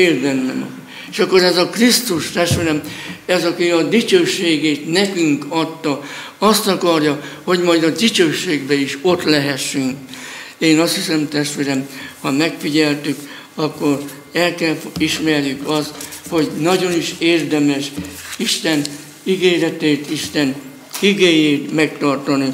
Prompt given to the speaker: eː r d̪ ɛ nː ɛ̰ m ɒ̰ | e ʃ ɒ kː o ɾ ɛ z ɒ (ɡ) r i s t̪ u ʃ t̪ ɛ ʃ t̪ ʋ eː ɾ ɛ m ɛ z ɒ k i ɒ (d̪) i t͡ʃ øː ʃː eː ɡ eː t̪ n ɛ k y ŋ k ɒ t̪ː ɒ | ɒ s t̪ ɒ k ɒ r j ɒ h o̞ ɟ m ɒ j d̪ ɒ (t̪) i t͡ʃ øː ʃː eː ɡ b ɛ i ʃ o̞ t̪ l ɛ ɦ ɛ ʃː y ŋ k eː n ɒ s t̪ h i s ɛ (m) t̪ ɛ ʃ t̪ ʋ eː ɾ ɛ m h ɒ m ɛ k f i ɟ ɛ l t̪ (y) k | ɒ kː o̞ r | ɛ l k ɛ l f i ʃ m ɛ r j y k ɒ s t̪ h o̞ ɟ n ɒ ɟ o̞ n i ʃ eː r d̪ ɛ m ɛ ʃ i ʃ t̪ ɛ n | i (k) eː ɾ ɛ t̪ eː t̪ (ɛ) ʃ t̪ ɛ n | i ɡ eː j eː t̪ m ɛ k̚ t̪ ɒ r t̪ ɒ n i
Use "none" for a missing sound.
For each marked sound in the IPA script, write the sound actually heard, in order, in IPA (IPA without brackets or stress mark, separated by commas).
k, d̪, d̪, m, y, ɡ, i